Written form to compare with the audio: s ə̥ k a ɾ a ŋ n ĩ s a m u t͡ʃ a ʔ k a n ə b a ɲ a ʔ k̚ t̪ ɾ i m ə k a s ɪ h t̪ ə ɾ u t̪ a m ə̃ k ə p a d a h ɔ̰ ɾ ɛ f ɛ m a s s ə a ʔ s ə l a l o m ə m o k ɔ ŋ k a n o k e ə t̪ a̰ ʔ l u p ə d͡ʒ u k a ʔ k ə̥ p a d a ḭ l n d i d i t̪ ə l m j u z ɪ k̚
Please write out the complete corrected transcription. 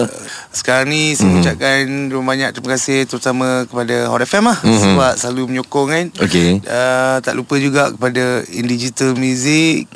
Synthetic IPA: s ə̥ k a ɾ a ŋ n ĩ s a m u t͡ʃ a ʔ k a n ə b a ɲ a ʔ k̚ t̪ ɾ i m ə k a s ɪ h t̪ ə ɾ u t̪ a m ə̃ k ə p a d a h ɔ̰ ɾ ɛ f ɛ m a h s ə a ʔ s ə l a l u m ə ɲ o k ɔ ŋ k a n o k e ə t̪ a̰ ʔ l u p ə d͡ʒ u ɡ a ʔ k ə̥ p a d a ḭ n d i d͡ʒ i t̪ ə l m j u z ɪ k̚